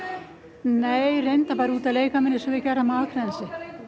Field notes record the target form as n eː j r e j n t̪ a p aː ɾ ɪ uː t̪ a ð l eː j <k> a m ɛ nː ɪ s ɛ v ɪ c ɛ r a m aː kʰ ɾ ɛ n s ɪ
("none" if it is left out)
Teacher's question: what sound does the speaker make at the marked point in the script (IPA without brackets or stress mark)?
k